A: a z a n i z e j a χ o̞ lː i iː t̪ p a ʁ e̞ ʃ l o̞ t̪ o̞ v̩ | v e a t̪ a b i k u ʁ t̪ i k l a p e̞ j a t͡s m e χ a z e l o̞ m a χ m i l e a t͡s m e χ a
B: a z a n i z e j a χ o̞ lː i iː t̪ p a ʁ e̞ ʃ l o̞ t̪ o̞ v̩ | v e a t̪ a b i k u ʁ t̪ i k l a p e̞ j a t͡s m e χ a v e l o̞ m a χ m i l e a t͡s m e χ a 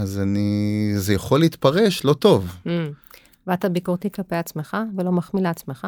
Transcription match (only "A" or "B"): B